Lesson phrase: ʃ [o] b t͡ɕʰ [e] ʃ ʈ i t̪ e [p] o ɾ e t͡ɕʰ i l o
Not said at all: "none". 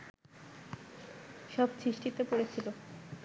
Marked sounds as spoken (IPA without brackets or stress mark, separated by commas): ɔ, i, p